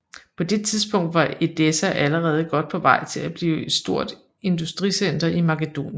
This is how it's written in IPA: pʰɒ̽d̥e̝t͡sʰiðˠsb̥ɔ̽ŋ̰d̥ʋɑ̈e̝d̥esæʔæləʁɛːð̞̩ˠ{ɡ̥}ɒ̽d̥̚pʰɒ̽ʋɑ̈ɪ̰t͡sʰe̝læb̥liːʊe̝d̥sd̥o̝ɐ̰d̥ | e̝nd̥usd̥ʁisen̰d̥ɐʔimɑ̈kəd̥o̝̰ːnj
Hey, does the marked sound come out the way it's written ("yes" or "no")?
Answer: yes